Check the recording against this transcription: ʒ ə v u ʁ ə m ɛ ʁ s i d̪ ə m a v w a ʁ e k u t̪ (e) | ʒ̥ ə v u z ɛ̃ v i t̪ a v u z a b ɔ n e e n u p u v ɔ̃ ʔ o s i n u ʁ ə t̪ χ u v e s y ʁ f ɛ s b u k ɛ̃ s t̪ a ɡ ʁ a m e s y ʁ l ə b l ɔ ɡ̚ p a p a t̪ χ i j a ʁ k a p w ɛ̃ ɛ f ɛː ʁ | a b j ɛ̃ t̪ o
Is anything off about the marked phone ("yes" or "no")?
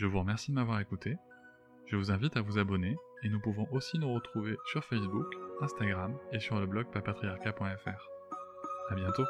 no